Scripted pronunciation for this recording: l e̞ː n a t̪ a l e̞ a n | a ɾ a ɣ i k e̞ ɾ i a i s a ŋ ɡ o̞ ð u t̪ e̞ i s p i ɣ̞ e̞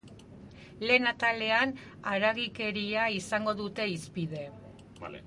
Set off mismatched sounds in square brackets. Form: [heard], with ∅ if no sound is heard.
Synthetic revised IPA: l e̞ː n a t̪ a l e̞ a n | a ɾ a ɣ i k e̞ ɾ i a i s a ŋ ɡ o̞ ð u t̪ e̞ i s p i [ð̞] e̞